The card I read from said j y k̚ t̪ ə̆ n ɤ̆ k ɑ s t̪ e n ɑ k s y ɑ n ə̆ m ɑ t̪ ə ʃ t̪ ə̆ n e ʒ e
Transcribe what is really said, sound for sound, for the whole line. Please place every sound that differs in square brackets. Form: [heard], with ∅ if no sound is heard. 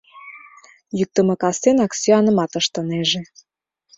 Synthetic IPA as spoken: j y k̚ t̪ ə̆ [m] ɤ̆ k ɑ s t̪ e n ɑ k s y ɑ n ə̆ m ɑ t̪ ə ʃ t̪ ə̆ n e ʒ e